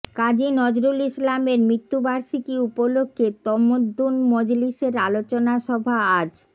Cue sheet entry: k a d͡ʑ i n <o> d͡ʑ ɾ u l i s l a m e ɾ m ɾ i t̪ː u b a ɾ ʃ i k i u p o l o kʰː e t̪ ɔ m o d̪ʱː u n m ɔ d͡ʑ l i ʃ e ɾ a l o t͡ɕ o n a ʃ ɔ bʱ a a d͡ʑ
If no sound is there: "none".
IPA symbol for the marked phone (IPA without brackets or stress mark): ɔ